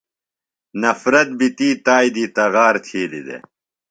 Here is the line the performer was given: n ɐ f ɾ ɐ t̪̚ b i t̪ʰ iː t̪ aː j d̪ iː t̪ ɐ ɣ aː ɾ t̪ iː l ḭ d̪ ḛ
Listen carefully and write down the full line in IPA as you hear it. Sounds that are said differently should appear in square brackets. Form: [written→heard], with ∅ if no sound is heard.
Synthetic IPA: n ɐ f ɾ ɐ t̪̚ b i [t̪ʰ→t̪] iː t̪ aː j d̪ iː t̪ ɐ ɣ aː ɾ [t̪→t̪ʰ] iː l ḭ d̪ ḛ